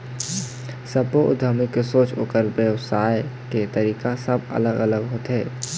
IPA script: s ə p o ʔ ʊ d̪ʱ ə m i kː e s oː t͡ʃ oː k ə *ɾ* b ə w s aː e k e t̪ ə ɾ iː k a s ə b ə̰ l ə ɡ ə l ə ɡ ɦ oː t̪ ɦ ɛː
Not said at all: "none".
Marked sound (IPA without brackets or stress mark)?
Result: ɾ